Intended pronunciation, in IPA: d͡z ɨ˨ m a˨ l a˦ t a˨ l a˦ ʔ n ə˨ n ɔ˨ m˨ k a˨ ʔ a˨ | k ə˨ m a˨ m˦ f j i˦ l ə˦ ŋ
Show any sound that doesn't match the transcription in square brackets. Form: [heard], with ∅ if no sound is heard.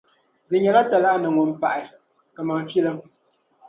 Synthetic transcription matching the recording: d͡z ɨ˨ [ɲ] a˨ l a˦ t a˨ l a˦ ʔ n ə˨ [ŋ] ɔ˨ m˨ [p] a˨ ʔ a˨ | k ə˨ m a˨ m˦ f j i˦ l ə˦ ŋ